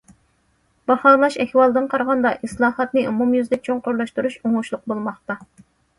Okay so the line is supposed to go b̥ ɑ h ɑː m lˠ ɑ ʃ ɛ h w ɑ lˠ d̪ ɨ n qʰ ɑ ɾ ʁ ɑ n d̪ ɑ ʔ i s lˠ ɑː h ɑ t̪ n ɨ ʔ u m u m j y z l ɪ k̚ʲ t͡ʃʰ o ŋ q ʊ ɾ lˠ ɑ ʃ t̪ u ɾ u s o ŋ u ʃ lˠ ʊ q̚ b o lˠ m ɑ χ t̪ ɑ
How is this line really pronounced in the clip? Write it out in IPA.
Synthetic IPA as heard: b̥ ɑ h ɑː lˠ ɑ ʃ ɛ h w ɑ lˠ d̪ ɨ n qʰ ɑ ɾ ʁ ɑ n d̪ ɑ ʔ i s lˠ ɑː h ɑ t̪ n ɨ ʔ u m u m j y z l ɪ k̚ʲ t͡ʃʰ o ŋ q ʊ ɾ lˠ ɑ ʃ t̪ u ɾ u ʃ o ŋ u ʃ lˠ ʊ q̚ b o lˠ m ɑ χ t̪ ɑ